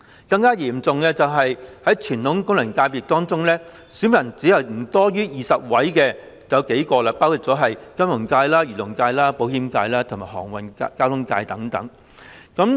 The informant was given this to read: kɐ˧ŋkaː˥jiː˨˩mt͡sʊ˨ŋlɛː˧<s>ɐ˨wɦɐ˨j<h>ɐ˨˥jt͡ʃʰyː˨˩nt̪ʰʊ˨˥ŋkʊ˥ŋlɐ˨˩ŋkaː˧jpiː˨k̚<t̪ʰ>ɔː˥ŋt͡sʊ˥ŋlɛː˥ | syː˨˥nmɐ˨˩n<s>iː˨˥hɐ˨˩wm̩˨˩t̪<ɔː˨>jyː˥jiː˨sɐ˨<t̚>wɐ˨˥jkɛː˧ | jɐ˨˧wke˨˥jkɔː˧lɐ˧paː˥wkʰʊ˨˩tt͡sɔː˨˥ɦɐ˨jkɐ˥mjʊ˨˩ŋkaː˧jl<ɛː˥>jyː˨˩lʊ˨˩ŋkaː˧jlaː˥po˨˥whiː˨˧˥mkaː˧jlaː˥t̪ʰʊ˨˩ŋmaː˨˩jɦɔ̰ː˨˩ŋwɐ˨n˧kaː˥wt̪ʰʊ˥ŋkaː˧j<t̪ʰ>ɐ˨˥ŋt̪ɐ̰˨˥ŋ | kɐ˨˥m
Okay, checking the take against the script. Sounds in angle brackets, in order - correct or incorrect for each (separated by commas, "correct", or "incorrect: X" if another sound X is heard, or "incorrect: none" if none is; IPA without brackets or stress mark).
incorrect: t͡s, correct, incorrect: t̪, incorrect: t͡s, incorrect: ɔː˥, incorrect: p̚, incorrect: aː˥, incorrect: t̪